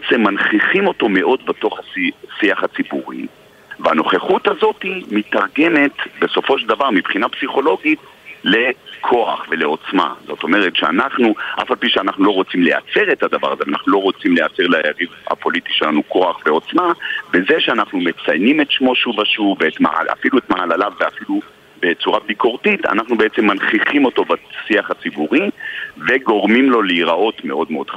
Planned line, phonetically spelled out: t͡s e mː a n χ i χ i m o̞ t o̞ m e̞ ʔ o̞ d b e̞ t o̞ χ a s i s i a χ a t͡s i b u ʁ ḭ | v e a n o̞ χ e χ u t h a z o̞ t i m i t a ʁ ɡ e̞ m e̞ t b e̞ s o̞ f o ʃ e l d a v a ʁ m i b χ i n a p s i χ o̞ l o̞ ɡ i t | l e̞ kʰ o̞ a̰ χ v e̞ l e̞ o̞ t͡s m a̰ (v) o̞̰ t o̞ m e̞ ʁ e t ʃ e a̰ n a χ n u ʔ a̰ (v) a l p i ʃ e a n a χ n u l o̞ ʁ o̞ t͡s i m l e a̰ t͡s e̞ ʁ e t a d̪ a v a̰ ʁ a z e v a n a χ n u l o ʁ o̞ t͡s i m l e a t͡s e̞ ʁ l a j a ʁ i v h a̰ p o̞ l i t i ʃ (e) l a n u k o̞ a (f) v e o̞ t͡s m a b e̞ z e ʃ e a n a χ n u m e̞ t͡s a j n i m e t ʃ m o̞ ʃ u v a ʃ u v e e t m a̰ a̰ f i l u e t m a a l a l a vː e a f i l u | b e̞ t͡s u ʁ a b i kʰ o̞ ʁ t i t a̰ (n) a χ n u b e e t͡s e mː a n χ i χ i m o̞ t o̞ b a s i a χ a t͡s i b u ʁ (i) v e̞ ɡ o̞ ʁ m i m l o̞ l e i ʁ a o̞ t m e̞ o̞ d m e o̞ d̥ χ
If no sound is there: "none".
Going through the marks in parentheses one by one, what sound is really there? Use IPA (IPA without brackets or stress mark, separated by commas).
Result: z, f, e, χ, n, i